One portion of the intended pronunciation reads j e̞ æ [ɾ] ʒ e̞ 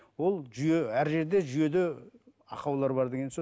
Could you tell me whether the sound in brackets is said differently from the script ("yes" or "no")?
no